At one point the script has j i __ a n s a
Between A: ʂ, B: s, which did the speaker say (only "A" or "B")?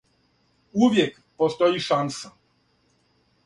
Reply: A